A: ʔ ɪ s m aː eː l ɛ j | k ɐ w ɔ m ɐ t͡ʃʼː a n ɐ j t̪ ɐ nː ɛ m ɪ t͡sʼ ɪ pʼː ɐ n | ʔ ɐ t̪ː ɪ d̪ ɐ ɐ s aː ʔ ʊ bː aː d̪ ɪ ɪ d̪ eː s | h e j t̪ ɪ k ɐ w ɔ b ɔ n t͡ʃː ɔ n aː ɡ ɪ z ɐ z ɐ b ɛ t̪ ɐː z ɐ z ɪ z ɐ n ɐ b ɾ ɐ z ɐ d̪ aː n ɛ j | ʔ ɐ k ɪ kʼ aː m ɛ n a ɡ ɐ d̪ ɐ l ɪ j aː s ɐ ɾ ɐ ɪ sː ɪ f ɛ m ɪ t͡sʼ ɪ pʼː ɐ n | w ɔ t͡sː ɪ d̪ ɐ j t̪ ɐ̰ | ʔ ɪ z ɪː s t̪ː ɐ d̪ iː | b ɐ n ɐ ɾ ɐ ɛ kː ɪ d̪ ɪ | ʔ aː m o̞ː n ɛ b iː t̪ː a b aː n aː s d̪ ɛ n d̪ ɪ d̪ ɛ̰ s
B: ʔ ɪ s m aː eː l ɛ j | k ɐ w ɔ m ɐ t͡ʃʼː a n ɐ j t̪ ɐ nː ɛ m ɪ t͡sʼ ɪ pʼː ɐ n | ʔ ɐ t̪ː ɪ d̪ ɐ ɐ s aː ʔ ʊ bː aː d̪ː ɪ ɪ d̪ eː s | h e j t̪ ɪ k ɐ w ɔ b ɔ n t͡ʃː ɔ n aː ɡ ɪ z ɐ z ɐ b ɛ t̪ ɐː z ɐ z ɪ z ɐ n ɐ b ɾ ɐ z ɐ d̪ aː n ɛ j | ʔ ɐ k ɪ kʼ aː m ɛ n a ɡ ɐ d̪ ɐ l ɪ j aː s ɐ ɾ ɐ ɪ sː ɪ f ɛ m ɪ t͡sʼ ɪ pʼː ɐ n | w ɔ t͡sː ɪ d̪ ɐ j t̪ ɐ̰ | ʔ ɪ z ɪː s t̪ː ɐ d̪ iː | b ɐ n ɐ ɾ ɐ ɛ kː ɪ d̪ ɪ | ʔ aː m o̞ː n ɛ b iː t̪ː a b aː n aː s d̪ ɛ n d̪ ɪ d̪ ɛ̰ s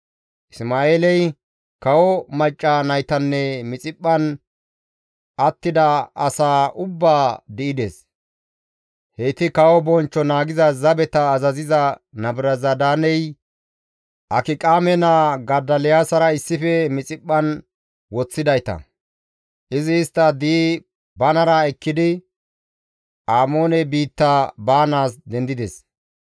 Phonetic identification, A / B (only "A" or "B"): A